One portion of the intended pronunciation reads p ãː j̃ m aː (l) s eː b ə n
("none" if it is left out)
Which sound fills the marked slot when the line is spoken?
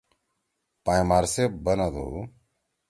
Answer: ɾ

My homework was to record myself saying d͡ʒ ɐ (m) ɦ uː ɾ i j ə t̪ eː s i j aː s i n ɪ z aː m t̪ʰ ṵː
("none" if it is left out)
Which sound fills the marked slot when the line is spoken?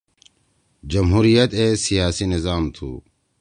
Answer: m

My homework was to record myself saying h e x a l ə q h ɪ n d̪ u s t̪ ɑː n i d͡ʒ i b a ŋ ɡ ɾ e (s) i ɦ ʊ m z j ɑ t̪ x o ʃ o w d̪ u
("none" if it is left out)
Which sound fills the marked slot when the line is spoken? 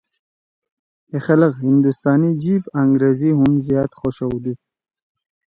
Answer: z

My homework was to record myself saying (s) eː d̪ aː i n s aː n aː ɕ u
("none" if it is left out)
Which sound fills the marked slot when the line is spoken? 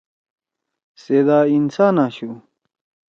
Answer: s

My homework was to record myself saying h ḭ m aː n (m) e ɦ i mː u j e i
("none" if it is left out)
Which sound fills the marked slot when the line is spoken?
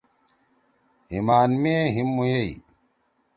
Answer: m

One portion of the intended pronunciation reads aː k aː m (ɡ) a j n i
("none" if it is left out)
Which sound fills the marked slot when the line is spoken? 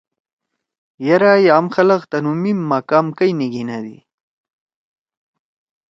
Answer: k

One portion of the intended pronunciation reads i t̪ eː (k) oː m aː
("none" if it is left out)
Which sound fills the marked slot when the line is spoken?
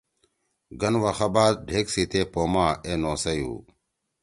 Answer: p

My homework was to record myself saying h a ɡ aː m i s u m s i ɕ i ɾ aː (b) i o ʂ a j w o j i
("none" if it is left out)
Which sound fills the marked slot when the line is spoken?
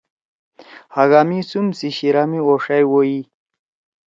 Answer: m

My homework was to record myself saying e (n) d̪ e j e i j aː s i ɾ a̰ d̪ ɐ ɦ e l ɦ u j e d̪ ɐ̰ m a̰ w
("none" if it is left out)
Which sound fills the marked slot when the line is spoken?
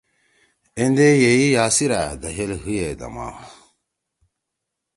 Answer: n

